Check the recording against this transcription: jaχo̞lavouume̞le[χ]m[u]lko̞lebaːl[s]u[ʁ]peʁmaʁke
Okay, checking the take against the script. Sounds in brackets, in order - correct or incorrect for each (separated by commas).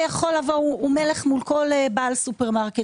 correct, correct, correct, incorrect